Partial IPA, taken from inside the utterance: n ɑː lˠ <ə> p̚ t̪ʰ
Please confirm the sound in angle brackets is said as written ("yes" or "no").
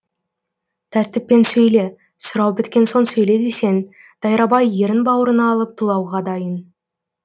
yes